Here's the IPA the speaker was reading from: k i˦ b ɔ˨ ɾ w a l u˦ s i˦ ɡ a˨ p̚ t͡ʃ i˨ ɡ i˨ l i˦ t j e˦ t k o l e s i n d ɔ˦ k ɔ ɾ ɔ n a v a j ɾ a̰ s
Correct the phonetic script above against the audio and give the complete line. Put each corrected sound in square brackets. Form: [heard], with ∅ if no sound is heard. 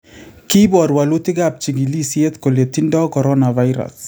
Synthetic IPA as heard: k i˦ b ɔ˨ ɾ w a l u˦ [t] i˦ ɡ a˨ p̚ t͡ʃ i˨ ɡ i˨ l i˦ [s] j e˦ t k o l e [t] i n d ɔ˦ k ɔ ɾ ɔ n a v a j ɾ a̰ s